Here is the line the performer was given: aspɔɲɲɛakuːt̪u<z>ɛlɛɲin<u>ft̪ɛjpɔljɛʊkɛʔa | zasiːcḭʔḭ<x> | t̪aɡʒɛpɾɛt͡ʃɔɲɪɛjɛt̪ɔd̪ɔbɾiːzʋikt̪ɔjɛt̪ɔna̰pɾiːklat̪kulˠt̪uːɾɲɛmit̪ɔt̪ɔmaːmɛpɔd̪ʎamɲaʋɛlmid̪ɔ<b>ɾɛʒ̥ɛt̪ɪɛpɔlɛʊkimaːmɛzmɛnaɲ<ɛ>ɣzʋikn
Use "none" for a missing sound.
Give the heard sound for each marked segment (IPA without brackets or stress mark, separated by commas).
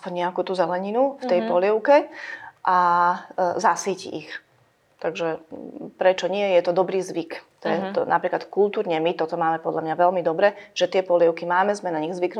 z, u, x, b, i